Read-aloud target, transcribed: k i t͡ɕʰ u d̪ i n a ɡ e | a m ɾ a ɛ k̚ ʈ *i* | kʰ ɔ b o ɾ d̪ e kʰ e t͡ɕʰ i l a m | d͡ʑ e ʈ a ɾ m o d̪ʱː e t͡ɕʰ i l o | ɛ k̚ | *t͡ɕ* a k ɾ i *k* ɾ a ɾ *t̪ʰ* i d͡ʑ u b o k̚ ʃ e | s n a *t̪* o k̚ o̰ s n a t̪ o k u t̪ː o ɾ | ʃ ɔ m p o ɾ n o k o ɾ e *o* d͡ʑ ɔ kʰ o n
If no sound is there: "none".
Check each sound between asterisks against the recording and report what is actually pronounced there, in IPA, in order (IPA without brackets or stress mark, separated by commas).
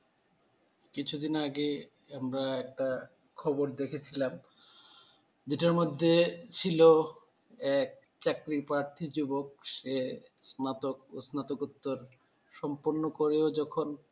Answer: a, t͡ɕ, p, t̪ʰ, t̪, o